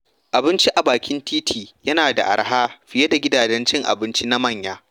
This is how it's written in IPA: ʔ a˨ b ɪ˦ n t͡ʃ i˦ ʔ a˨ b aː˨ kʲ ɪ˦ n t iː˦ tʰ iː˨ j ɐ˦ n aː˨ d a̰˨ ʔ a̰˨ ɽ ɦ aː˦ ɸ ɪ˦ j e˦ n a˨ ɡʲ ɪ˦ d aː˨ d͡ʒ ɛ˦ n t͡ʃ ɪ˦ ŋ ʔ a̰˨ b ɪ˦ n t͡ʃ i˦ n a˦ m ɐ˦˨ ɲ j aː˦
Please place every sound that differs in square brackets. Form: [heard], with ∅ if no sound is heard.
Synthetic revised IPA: ʔ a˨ b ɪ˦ n t͡ʃ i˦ ʔ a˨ b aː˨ kʲ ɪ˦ n t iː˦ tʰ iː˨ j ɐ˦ n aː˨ d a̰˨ ʔ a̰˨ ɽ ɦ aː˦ ɸ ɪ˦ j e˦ [d] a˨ ɡʲ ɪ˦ d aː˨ d͡ʒ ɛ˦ n t͡ʃ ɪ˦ ŋ ʔ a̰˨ b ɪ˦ n t͡ʃ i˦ n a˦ m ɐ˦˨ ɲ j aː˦